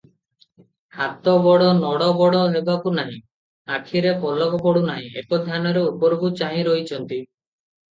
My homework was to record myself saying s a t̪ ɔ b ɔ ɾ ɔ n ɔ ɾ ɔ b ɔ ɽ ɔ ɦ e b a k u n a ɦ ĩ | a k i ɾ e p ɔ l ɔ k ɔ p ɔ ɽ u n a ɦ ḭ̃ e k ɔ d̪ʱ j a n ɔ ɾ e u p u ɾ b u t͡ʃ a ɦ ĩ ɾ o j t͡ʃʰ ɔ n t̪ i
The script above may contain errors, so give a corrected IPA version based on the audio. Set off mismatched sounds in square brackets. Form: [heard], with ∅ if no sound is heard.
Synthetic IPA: [h] a t̪ ɔ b ɔ [ɽ] ɔ n ɔ [ɽ] ɔ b ɔ ɽ ɔ ɦ e b a k u n a ɦ ĩ | a [kʰ] i ɾ e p ɔ l ɔ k ɔ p ɔ ɽ u n a ɦ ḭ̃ e k ɔ d̪ʱ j a n ɔ ɾ e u p [ɔ] ɾ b u t͡ʃ a ɦ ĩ ɾ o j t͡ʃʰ ɔ n t̪ i

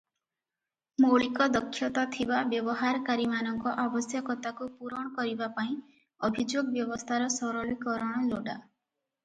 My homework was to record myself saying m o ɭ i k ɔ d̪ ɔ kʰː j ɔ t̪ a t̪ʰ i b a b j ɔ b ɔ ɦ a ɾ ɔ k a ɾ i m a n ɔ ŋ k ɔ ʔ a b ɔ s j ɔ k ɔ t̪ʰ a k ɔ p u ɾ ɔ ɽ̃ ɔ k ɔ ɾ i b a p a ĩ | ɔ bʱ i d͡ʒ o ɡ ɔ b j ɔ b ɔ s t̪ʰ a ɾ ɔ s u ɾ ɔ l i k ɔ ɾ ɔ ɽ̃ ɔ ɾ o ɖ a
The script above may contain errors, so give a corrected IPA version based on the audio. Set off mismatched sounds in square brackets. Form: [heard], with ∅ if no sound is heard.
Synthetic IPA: m o ɭ i k ɔ d̪ ɔ kʰː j ɔ t̪ a t̪ʰ i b a b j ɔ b ɔ ɦ a ɾ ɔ k a ɾ i m a n ɔ ŋ k ɔ ʔ a b ɔ s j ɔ k ɔ [t̪] a k [u] p u ɾ ɔ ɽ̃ ɔ k ɔ ɾ i b a p a ĩ | ɔ bʱ i d͡ʒ o ɡ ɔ b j ɔ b ɔ s t̪ʰ a ɾ ɔ s [ɔ] ɾ ɔ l i k ɔ ɾ ɔ ɽ̃ ɔ [l] o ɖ a

